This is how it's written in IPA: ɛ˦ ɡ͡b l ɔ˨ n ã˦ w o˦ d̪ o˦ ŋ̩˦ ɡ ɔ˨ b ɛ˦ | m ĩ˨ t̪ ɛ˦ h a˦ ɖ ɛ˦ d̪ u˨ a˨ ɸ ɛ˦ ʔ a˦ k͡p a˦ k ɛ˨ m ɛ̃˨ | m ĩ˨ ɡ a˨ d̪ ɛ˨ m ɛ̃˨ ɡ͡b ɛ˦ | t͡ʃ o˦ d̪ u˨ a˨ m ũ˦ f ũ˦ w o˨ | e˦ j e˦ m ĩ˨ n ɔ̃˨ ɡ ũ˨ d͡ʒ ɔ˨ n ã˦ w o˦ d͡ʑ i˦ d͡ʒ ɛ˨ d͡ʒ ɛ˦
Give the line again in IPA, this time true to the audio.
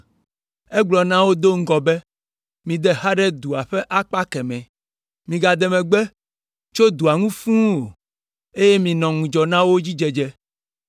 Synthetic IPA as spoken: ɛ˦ ɡ͡b l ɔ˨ n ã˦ w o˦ d̪ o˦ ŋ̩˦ ɡ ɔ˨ b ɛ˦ | m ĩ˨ d̪ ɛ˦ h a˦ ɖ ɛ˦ d̪ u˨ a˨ ɸ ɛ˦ ʔ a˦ k͡p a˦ k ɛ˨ m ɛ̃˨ | m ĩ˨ ɡ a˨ d̪ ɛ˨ m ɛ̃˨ ɡ͡b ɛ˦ | t͡ʃ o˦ d̪ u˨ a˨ ŋ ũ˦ f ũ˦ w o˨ | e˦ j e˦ m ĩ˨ n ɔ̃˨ ŋ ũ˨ d͡ʒ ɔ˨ n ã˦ w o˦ d͡ʑ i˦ d͡ʒ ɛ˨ d͡ʒ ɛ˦

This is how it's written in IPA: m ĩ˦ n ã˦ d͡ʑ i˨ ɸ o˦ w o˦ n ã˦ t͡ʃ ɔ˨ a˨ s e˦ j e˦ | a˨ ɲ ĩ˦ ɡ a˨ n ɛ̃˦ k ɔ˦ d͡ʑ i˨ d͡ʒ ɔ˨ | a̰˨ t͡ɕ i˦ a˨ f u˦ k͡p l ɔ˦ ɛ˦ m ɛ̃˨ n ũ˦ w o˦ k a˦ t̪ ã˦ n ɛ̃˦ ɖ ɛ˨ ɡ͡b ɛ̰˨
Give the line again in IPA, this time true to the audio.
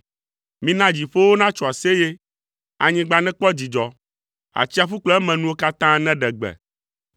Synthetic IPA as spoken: m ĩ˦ n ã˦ d͡ʑ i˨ ɸ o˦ w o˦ n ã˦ t͡ʃ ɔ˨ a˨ s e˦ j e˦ | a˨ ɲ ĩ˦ ɡ͡b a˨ n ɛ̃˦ k͡p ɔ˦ d͡ʑ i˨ d͡ʒ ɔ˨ | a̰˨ t͡ɕ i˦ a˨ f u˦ k͡p l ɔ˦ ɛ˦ m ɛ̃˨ n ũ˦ w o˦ k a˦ t̪ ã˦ n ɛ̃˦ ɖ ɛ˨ ɡ͡b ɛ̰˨

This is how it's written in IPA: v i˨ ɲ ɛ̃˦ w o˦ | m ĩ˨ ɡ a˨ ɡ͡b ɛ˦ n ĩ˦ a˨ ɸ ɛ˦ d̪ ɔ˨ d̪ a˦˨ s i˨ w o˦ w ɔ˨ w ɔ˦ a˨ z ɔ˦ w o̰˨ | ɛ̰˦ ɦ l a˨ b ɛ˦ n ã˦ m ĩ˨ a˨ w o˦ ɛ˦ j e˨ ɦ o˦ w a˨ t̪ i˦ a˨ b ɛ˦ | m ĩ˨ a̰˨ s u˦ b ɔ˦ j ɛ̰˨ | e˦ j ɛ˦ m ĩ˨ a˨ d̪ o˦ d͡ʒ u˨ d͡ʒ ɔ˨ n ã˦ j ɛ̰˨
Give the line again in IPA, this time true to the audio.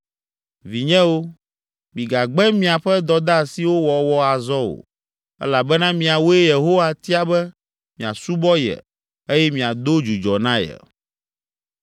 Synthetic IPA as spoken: v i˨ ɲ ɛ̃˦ w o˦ | m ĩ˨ ɡ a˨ ɡ͡b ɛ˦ m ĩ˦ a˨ ɸ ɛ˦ d̪ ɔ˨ d̪ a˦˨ s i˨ w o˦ w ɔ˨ w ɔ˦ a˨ z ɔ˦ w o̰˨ | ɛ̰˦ l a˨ b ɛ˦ n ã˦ m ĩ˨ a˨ w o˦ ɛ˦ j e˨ ɦ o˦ w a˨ t̪ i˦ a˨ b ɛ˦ | m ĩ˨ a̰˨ s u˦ b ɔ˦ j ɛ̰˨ | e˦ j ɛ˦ m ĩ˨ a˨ d̪ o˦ d͡ʒ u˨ d͡ʒ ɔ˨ n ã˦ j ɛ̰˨

